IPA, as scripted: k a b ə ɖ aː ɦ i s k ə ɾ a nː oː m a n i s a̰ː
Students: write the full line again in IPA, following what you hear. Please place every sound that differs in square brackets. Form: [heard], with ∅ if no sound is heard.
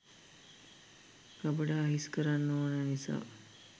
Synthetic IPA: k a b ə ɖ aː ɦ i s k ə ɾ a nː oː [n] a n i s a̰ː